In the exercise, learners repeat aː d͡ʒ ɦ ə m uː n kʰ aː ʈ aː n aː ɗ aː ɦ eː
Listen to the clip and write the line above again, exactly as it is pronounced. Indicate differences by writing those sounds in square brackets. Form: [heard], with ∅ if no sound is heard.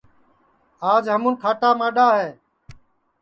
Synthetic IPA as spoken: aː d͡ʒ ɦ ə m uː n kʰ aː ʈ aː [m] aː ɗ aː ɦ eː